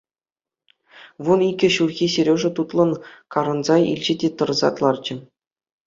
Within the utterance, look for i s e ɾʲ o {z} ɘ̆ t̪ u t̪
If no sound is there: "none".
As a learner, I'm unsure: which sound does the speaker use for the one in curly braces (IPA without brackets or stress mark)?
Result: ʐ